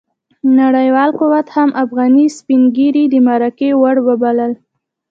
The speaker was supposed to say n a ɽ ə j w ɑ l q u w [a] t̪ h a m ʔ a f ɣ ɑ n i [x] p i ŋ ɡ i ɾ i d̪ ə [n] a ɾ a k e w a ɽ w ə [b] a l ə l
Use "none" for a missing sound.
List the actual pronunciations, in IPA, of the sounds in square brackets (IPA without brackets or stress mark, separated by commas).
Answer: a, s, m, b